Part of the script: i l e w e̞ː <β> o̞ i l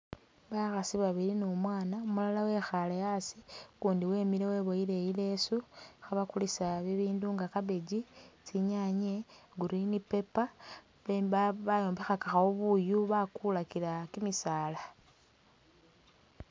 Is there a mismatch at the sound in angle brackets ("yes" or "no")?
no